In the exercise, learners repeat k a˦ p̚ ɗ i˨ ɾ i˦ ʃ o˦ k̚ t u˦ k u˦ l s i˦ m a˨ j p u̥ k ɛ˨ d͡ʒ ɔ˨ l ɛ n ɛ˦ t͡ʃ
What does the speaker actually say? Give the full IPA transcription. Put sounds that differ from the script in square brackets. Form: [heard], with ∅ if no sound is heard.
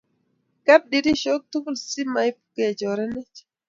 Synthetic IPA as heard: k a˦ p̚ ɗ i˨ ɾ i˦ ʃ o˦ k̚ t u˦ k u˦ l s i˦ m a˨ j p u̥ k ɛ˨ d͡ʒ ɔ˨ [ɾ] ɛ n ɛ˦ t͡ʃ